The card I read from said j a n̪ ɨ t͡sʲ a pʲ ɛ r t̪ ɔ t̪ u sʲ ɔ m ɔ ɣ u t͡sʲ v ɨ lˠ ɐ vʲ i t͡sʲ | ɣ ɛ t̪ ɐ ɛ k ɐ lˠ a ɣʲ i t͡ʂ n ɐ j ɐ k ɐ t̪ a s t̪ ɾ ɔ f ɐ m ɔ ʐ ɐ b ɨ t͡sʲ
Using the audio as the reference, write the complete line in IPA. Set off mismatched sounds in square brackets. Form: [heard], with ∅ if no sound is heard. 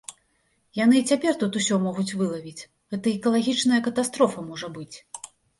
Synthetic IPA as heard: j a n̪ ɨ t͡sʲ a pʲ ɛ r t̪ [u] t̪ u sʲ ɔ m ɔ ɣ u t͡sʲ v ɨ lˠ ɐ vʲ i t͡sʲ | ɣ ɛ t̪ ɐ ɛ k ɐ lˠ a ɣʲ i t͡ʂ n ɐ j ɐ k ɐ t̪ a s t̪ ɾ ɔ f ɐ m ɔ ʐ ɐ b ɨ t͡sʲ